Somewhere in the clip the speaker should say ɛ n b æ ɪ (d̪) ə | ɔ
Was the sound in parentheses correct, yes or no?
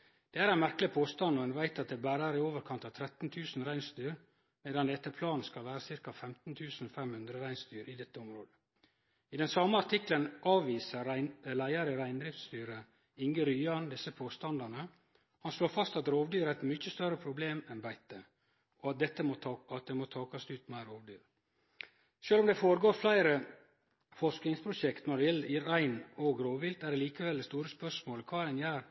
no